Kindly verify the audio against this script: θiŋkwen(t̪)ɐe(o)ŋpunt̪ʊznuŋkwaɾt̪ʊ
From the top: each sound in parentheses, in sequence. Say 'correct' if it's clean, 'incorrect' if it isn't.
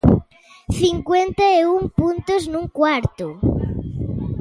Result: correct, incorrect

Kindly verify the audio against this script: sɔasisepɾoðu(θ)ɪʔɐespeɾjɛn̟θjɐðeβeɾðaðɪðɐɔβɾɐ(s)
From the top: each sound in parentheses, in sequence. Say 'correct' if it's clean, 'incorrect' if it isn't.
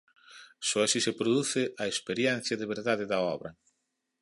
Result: correct, incorrect

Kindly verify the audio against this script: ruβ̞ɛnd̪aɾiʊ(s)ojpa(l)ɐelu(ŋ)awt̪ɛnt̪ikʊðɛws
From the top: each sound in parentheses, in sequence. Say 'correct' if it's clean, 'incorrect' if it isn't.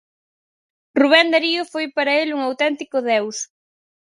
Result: incorrect, incorrect, correct

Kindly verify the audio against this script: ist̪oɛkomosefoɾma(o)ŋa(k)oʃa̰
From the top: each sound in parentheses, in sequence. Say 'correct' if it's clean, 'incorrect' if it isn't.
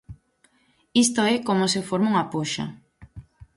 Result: incorrect, incorrect

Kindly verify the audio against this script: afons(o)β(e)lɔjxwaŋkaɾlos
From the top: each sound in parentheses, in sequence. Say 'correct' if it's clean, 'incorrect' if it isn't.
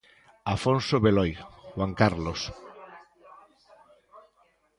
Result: correct, correct

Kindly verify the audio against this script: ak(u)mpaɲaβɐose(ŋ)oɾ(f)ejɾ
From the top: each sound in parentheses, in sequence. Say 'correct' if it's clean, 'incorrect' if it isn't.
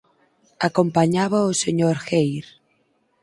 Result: incorrect, incorrect, incorrect

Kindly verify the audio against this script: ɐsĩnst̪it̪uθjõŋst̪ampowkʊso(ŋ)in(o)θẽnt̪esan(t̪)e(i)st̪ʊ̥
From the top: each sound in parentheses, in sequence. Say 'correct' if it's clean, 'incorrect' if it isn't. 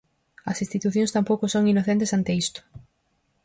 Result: correct, correct, correct, correct

